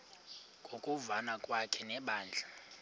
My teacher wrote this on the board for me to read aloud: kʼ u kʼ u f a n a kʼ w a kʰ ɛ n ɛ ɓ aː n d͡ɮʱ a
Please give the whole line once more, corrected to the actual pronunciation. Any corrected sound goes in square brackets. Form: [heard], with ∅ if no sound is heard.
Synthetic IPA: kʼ [o] kʼ u [v] a n a kʼ w a kʰ ɛ n ɛ ɓ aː n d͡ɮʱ a